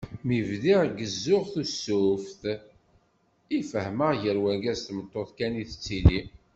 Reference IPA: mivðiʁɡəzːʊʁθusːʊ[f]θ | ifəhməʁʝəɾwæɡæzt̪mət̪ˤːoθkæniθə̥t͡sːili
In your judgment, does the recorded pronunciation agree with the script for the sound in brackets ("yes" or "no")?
yes